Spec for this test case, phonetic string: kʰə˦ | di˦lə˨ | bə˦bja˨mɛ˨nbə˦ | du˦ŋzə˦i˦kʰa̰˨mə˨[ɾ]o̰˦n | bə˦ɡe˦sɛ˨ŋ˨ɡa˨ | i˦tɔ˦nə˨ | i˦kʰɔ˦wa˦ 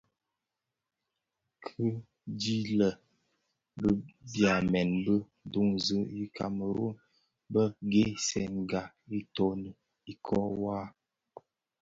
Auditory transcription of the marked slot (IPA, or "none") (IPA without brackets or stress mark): ɾ